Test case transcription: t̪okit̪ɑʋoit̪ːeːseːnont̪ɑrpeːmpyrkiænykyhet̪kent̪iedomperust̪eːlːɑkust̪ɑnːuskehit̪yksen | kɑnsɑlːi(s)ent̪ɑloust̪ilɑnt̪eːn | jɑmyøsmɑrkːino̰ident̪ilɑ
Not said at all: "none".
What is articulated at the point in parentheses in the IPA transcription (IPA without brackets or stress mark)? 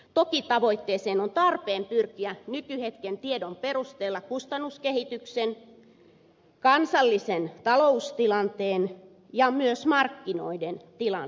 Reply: s